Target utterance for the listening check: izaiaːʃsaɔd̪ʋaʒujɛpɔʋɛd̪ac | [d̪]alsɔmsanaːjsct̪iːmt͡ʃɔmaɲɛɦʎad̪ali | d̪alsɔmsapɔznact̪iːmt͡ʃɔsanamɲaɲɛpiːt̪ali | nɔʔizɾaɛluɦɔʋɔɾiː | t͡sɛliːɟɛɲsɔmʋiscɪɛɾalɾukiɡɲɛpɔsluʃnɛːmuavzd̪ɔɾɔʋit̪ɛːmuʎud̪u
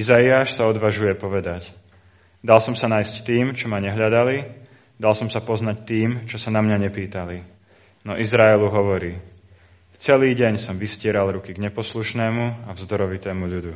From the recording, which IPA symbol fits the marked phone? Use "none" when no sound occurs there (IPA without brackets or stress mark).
d̪